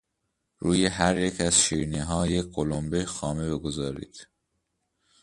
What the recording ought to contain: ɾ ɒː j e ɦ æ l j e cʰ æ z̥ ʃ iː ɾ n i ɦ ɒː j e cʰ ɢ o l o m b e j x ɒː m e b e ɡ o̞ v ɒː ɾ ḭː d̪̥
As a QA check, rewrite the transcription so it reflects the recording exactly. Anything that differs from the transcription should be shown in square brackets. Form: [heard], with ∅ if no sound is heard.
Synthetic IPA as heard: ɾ [uː] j e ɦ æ [ɾ] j e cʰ æ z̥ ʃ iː ɾ n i ɦ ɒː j e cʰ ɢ o l o m b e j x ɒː m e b e ɡ o̞ [z] ɒː ɾ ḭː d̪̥